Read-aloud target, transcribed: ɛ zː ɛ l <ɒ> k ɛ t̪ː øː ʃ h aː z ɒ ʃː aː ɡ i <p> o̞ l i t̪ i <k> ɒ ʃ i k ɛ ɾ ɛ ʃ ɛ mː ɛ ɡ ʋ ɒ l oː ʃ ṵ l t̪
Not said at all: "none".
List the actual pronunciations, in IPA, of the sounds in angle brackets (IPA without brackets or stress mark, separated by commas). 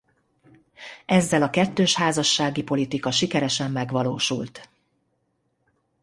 ɒ, p, k